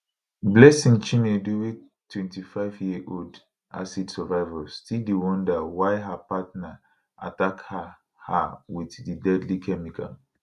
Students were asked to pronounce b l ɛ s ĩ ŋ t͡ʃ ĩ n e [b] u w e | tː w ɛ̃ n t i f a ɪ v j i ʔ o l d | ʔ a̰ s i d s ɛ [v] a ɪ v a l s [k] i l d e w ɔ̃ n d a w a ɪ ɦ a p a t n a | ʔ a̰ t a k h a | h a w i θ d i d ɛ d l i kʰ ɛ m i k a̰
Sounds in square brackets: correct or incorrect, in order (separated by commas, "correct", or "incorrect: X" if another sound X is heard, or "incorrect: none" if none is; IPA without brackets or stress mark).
incorrect: d, correct, incorrect: t